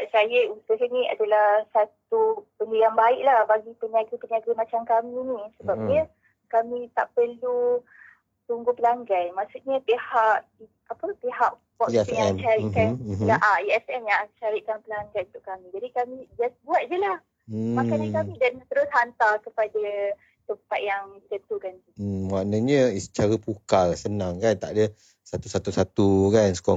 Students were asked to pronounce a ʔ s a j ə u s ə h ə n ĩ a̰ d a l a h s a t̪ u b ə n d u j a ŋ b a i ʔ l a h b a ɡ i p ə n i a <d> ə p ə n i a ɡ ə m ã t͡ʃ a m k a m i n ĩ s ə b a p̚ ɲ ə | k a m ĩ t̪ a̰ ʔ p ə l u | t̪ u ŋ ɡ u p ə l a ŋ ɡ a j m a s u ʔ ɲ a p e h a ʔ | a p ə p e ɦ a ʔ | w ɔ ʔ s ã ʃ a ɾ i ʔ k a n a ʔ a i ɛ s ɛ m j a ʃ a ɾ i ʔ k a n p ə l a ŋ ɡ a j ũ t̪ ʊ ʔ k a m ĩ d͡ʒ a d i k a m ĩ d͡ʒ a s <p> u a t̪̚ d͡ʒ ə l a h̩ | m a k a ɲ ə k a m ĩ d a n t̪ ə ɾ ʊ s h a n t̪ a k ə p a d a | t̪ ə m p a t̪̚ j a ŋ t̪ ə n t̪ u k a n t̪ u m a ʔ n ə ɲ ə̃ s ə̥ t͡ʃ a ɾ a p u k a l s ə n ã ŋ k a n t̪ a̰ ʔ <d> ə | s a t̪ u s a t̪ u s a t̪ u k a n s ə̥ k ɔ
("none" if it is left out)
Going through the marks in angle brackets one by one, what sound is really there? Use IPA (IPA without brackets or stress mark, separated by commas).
ɡ, b, d